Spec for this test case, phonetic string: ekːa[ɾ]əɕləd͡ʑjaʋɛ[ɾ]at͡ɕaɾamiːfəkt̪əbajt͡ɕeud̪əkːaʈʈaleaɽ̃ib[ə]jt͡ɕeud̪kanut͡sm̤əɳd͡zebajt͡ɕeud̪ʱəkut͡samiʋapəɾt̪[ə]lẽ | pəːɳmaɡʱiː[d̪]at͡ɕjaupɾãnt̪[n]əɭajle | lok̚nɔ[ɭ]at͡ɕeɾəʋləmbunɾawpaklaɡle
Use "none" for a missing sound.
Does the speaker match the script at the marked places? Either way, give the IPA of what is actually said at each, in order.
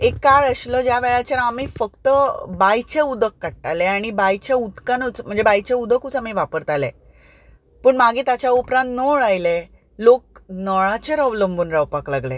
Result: ɭ, ɭ, a, a, t̪, n, ɭ

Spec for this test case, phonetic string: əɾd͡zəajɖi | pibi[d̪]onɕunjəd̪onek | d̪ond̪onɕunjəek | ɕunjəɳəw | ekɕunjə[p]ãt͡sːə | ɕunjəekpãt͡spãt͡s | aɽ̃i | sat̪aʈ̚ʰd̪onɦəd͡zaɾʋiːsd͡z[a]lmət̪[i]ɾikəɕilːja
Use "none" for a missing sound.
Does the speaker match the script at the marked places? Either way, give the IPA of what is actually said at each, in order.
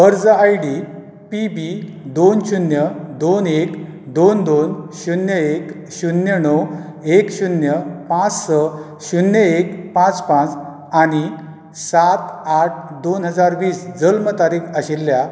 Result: d̪, p, ə, a

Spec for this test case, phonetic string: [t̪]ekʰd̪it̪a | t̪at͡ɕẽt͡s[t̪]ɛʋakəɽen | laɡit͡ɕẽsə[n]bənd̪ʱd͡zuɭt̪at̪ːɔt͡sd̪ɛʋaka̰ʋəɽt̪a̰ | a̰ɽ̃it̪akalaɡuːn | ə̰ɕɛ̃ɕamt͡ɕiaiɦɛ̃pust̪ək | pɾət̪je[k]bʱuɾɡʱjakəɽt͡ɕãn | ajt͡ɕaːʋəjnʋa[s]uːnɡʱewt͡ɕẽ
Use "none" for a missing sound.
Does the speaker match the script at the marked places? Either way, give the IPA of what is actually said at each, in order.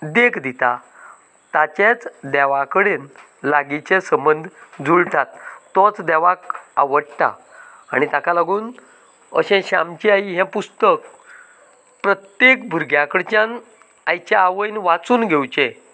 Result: d̪, d̪, m, k, t͡s

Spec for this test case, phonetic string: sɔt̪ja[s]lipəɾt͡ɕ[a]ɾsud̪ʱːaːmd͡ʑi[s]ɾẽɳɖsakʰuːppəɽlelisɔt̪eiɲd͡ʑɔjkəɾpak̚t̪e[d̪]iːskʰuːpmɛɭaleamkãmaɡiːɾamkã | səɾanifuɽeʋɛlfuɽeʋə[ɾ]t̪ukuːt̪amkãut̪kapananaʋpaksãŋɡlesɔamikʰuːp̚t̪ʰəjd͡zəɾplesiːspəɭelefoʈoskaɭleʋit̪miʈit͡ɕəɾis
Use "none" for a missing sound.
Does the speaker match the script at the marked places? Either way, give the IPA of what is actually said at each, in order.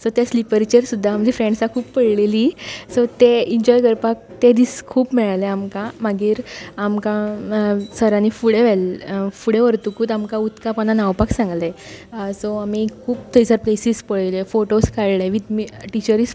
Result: s, ə, f, d̪, ɾ

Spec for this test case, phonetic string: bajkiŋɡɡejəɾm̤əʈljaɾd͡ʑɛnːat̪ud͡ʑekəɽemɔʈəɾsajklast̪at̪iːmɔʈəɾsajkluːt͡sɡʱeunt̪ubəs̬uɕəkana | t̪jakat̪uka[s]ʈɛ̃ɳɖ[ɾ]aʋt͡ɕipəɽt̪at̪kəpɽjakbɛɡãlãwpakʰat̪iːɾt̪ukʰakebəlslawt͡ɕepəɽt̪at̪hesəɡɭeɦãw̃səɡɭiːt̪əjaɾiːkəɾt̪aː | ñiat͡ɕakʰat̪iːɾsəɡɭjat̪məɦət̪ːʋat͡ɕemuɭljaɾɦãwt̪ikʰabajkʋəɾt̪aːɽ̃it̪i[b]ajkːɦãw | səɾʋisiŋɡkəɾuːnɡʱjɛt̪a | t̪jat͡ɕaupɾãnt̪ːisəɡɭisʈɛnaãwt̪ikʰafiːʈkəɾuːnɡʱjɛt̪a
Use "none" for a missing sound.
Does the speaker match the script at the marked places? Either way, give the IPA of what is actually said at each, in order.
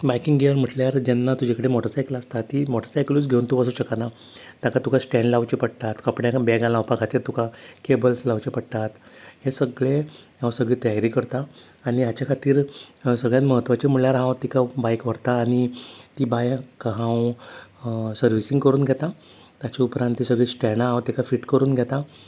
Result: s, l, b

